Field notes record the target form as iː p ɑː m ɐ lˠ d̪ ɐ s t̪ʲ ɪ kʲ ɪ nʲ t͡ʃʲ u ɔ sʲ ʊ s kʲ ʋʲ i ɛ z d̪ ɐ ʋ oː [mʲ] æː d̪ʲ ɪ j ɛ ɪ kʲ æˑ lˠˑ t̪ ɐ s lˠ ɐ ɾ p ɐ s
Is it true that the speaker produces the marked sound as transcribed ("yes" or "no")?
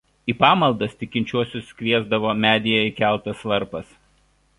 yes